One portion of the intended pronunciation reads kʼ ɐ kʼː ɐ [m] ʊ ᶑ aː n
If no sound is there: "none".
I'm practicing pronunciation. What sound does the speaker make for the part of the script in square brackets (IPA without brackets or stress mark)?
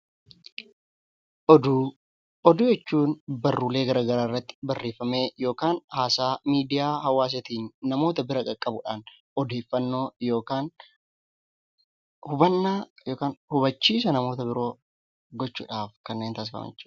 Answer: b